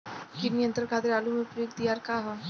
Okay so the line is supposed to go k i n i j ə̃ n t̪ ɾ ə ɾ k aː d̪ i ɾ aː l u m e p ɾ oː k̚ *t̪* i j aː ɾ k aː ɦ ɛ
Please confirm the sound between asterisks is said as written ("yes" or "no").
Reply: no